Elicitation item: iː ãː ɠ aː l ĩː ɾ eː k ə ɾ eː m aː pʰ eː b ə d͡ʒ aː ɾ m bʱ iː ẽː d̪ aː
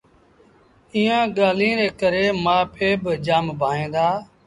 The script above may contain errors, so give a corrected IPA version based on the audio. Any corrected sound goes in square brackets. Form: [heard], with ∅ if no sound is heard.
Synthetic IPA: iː ãː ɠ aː l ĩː ɾ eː k ə ɾ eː m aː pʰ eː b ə d͡ʒ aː [∅] m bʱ [aː] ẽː d̪ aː